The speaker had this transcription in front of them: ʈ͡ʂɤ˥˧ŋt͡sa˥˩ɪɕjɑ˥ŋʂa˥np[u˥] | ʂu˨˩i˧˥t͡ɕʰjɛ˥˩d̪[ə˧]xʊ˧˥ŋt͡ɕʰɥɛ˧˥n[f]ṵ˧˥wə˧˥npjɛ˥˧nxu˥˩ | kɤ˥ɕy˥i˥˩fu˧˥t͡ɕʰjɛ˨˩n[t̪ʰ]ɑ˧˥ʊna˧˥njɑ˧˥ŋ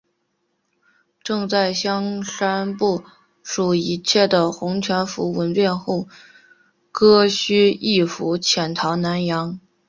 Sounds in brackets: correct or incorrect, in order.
incorrect: u˥˩, incorrect: ə˩, correct, correct

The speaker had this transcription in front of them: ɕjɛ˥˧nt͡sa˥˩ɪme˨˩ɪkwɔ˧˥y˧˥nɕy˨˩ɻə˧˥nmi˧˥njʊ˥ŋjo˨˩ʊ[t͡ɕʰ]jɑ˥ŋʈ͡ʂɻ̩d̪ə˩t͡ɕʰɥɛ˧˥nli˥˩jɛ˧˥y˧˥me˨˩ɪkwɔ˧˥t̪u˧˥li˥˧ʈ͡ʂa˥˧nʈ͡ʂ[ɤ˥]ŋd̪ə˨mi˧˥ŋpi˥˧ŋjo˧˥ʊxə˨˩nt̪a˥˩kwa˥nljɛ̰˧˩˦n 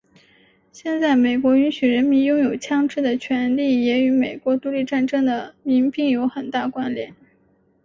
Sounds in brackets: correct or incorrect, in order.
correct, correct

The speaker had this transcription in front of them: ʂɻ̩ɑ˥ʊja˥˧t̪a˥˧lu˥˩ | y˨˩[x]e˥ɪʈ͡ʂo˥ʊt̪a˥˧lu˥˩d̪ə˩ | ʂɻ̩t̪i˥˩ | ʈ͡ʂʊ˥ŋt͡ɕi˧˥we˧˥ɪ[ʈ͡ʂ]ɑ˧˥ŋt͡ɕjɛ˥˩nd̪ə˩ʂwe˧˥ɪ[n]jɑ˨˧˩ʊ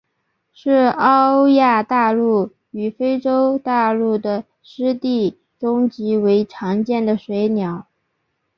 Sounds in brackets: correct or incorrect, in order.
incorrect: f, incorrect: ʈ͡ʂʰ, correct

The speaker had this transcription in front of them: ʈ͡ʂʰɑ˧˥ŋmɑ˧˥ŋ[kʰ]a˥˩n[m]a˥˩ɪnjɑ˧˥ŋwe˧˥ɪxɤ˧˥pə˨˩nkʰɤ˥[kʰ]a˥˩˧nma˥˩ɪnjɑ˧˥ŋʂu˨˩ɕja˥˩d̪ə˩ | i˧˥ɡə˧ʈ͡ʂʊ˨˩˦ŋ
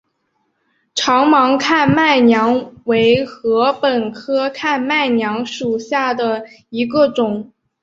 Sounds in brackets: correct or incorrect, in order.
correct, correct, correct

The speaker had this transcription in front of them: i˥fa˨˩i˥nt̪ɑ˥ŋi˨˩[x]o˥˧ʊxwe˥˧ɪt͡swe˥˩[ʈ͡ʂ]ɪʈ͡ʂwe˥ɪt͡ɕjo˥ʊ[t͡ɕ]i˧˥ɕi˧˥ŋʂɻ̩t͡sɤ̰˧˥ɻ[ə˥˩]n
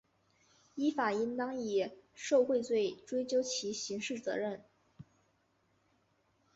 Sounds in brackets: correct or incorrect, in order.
incorrect: ʂ, incorrect: none, incorrect: t͡ɕʰ, correct

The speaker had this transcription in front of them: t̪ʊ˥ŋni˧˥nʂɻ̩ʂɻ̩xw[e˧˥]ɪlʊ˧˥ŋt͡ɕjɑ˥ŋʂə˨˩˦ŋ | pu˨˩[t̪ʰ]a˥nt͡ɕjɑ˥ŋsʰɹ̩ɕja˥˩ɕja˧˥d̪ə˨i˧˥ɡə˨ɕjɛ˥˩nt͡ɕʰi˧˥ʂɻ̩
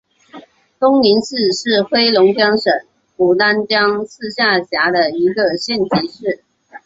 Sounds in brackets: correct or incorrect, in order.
incorrect: e˥, incorrect: t̪

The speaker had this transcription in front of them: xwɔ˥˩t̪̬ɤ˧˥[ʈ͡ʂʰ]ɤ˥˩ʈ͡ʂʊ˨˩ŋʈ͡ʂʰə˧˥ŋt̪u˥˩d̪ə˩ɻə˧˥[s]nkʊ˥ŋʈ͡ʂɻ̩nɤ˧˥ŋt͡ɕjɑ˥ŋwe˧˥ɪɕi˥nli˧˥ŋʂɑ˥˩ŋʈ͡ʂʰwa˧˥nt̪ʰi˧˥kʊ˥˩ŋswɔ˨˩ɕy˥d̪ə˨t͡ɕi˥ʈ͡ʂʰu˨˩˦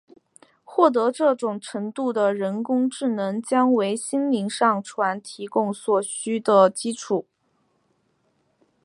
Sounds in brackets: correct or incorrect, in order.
incorrect: ʈ͡ʂ, incorrect: none

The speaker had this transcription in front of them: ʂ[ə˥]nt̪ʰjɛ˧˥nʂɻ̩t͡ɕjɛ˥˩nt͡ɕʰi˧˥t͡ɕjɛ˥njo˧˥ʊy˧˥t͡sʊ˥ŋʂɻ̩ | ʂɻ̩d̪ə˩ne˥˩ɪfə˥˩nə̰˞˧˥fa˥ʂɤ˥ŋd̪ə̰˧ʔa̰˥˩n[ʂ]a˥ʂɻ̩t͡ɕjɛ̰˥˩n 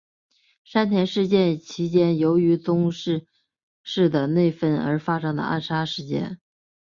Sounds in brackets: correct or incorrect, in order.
incorrect: a˥, correct

